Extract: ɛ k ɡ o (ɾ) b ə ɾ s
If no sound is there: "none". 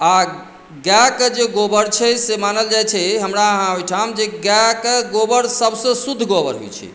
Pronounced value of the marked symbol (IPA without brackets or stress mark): none